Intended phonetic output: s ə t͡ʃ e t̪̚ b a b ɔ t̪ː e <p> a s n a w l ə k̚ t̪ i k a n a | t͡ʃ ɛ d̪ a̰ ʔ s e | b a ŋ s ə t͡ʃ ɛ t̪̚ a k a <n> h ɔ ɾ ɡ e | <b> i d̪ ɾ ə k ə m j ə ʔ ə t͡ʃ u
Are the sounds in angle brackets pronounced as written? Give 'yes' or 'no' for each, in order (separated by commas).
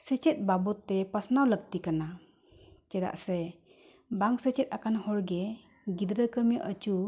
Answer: yes, yes, no